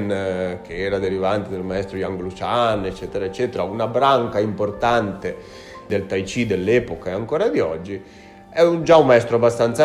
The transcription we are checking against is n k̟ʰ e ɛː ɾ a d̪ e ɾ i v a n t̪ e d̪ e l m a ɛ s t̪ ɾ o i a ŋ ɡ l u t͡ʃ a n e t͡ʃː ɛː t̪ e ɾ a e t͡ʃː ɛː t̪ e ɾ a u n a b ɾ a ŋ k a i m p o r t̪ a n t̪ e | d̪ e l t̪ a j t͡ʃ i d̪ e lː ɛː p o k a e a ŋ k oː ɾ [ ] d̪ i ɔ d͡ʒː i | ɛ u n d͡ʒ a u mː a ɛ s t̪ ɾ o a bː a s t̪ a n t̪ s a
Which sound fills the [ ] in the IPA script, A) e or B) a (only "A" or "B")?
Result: B